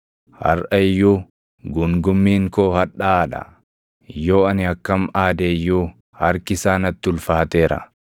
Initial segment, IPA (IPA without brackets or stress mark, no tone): h